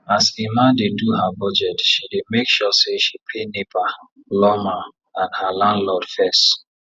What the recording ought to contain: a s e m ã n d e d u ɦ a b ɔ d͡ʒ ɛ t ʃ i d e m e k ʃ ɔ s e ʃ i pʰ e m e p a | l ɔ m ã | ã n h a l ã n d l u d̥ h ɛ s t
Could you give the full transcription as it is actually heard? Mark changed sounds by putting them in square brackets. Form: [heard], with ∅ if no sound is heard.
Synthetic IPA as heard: a s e m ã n d e d u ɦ a b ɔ d͡ʒ ɛ t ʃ i d e m e k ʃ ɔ s e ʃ i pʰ e [n] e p a | l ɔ m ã | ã n h a l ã n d l [ɔ] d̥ [f] ɛ s t